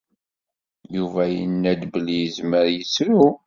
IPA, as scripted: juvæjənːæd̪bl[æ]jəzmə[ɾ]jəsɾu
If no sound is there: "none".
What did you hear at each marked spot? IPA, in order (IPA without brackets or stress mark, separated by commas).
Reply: i, ɾ